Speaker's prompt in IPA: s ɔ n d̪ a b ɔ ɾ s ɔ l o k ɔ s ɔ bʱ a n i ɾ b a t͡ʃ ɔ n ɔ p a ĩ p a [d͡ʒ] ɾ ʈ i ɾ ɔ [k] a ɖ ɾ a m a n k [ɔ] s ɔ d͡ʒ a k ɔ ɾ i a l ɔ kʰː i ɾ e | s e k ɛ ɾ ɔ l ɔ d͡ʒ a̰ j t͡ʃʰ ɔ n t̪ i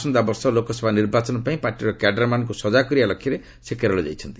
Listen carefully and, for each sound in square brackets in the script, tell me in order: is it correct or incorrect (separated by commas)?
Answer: incorrect, correct, incorrect